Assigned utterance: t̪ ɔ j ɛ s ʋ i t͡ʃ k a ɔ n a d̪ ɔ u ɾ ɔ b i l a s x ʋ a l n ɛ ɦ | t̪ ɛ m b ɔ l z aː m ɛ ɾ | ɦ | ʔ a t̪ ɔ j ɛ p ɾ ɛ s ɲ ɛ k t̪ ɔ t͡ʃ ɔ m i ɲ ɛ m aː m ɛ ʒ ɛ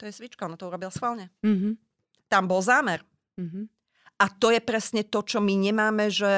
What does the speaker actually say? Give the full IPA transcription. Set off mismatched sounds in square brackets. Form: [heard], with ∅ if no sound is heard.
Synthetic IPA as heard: t̪ ɔ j ɛ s ʋ i t͡ʃ k a ɔ n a [t̪] ɔ u ɾ ɔ b i l a s x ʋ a l [ɲ] ɛ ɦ | t̪ [a] m b ɔ l z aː m ɛ ɾ | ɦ | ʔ a t̪ ɔ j ɛ p ɾ ɛ s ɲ ɛ [∅] t̪ ɔ t͡ʃ ɔ m i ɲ ɛ m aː m ɛ ʒ ɛ